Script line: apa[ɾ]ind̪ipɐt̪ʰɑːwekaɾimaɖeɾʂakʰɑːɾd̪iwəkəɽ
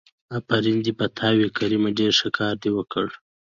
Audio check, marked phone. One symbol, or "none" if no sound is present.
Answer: ɾ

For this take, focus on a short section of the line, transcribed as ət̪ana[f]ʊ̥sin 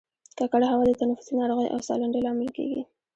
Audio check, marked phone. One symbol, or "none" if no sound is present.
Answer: f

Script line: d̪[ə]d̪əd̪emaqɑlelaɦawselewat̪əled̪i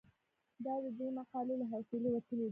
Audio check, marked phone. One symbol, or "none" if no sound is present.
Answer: ɑ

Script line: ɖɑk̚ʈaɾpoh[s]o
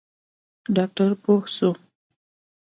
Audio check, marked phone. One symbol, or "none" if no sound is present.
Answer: s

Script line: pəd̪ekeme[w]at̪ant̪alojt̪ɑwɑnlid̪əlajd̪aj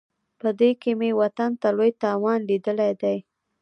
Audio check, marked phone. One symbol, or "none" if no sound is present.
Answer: w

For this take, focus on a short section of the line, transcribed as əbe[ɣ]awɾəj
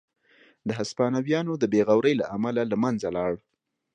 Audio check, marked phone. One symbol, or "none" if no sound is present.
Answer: ɣ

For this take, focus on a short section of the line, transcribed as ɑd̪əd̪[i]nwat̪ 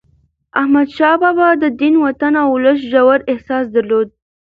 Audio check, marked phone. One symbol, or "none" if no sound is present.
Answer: i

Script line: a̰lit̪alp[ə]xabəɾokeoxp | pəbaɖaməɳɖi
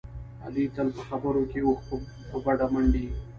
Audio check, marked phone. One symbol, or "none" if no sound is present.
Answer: ə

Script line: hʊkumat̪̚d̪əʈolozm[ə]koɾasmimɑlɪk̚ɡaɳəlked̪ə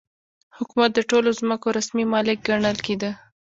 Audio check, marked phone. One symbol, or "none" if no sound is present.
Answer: ə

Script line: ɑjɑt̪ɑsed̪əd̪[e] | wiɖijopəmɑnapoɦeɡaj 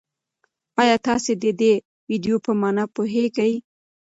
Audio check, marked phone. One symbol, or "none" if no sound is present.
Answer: e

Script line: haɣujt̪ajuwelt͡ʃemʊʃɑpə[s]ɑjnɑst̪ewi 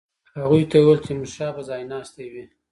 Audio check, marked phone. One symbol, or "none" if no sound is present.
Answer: z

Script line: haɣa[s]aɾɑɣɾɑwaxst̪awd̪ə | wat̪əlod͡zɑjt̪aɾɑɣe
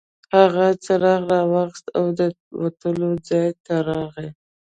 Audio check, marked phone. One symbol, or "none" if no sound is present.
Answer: t͡s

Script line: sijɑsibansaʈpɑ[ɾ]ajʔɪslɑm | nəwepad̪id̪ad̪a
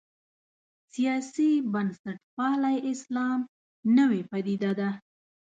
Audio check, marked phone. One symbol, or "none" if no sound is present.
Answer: l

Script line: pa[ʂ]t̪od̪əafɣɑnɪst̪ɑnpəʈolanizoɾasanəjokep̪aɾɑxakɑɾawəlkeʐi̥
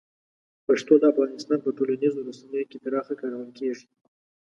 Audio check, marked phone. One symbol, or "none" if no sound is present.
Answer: ʂ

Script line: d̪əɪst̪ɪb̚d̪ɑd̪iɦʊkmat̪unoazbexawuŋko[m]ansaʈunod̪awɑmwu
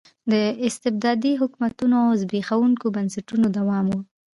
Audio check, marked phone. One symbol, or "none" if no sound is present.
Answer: b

